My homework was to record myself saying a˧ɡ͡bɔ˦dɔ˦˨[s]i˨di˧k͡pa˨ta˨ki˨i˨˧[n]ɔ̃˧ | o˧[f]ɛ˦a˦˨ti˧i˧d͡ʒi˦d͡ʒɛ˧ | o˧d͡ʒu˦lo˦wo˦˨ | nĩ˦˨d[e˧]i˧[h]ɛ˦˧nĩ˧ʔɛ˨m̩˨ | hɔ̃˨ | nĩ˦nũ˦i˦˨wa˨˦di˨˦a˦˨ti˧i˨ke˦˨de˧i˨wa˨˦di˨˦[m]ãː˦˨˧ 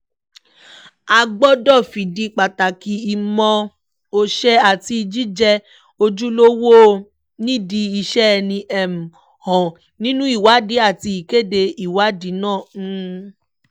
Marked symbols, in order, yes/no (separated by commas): no, no, no, no, no, no